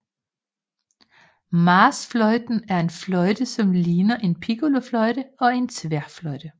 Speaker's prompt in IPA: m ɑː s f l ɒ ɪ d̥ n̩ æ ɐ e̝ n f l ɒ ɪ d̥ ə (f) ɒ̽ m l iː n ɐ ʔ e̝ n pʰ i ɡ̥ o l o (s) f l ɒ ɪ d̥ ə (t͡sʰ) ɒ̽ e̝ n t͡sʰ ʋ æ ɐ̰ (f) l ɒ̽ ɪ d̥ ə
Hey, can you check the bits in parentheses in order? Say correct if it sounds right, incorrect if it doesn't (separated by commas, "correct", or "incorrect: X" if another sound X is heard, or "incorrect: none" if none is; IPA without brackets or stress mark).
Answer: incorrect: s, incorrect: none, incorrect: none, correct